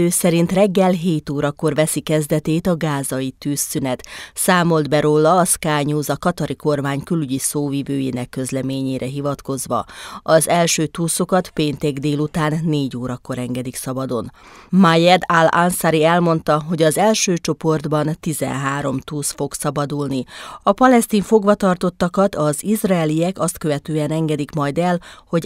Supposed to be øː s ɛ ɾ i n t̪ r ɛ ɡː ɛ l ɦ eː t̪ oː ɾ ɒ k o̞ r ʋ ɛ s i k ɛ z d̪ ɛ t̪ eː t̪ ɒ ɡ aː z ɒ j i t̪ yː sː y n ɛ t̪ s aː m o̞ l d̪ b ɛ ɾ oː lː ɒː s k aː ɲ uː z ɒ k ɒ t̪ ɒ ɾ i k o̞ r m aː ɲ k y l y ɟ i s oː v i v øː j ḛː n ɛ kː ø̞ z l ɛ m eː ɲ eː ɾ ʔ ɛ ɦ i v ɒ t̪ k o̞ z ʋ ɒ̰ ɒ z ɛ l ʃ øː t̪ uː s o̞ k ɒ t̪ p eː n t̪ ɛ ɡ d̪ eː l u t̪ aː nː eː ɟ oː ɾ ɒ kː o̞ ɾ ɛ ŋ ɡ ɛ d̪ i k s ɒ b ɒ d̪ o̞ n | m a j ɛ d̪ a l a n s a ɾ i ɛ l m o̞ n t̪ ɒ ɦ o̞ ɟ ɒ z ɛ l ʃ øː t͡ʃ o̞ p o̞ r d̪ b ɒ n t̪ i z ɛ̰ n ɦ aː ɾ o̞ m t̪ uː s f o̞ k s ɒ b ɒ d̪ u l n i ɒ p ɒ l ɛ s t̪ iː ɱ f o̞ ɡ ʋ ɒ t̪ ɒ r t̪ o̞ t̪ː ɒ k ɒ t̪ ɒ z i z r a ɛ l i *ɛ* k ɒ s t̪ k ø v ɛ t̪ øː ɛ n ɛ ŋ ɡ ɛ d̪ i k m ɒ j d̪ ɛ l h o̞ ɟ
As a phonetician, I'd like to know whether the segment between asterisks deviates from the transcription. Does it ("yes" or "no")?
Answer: no